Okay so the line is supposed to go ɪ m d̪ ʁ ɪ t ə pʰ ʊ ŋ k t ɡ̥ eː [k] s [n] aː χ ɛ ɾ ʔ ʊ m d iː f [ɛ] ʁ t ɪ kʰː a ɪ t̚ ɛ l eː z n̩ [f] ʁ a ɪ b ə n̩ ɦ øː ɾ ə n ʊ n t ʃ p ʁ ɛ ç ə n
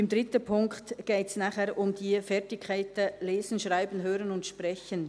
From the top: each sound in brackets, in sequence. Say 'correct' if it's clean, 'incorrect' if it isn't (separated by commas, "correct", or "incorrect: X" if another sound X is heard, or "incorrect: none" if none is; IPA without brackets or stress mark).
incorrect: t, correct, correct, incorrect: ʃ